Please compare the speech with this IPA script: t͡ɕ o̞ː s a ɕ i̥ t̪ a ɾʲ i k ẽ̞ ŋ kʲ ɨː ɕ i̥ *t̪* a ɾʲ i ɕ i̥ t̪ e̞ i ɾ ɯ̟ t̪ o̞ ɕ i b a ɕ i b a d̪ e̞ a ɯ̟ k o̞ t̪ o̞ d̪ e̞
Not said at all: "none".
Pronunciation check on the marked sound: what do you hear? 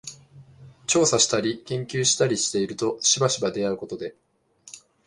t̪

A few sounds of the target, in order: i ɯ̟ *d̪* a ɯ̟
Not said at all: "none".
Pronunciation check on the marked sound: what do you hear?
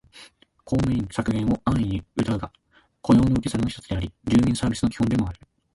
t̪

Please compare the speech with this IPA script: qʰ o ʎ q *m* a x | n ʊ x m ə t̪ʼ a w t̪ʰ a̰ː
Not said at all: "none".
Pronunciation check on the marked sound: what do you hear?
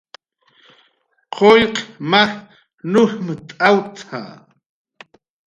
m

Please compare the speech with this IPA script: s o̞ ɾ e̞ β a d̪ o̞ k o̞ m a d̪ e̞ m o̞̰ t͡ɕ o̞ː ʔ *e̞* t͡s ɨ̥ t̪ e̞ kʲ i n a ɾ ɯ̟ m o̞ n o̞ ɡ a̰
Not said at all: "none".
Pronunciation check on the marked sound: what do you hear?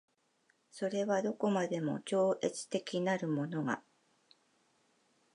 e̞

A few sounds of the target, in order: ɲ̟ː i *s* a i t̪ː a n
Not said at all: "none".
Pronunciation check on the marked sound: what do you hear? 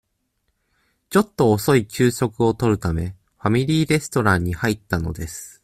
h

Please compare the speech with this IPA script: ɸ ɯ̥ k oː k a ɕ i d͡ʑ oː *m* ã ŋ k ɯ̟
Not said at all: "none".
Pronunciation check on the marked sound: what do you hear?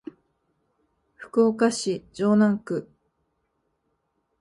n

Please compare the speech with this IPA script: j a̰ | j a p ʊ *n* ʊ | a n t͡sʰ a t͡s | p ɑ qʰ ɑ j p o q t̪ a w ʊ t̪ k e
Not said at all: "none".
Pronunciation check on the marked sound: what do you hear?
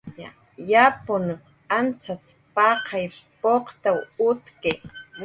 n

